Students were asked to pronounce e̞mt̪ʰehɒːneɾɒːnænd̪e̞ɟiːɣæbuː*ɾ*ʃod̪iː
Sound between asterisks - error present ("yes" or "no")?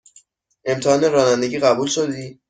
yes